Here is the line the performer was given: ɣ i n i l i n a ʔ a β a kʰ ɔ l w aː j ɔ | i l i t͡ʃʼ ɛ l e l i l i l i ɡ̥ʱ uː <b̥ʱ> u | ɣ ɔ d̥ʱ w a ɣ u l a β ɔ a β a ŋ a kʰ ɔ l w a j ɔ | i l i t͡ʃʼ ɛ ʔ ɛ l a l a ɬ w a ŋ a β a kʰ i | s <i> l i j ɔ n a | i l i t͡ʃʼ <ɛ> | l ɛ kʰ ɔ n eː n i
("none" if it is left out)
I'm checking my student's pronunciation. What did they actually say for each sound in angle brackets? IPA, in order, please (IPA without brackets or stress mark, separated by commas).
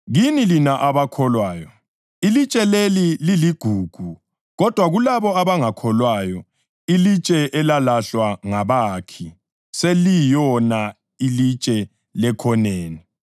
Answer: ɡ̥ʱ, e, ɛ